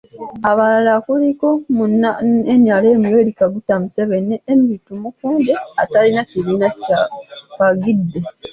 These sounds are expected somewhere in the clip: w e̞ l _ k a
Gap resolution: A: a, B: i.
B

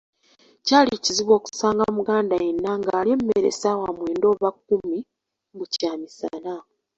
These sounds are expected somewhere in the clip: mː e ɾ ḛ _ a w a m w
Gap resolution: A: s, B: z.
A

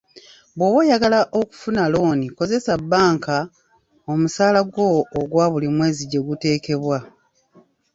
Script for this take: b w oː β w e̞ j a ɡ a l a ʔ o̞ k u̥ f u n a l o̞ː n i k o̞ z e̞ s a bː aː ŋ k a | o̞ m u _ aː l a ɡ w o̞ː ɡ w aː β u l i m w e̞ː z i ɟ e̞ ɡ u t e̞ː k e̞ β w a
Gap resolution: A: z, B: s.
B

